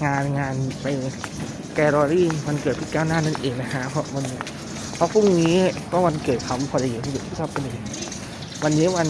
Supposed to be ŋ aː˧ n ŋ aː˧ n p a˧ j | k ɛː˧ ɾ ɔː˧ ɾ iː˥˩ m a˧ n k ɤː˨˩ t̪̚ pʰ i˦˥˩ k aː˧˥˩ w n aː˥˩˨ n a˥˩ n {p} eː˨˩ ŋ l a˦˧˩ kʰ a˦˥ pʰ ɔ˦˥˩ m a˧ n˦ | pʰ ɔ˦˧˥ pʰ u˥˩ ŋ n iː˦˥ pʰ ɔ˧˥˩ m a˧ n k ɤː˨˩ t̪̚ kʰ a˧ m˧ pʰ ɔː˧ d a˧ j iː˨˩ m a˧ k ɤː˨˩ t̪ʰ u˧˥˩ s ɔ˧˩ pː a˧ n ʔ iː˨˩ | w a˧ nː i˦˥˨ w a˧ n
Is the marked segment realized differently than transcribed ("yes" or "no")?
yes